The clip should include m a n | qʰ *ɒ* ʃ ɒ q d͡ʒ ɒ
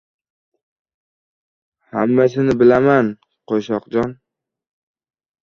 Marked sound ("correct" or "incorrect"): incorrect